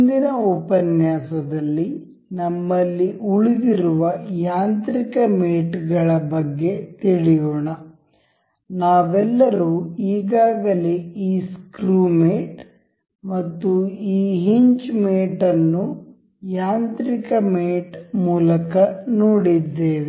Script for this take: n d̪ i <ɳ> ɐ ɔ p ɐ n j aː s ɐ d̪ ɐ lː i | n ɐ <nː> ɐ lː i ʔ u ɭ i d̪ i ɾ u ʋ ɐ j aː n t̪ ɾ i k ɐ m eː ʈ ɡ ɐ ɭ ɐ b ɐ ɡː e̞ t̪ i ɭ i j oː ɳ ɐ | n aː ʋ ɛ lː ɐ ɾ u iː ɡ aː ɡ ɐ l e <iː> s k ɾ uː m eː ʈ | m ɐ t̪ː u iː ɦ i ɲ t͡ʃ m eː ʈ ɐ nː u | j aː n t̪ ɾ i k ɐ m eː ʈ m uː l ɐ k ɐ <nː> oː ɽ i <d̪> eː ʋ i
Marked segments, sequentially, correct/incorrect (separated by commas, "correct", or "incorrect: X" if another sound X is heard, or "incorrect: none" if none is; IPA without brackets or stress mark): incorrect: n, incorrect: mː, correct, incorrect: n, incorrect: d̪ː